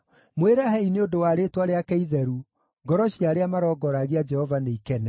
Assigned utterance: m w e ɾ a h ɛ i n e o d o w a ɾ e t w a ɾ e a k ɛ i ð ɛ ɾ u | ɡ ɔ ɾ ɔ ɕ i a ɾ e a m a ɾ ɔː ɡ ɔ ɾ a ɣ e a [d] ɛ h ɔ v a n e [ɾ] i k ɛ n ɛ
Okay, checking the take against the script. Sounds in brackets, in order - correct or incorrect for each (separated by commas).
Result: incorrect, incorrect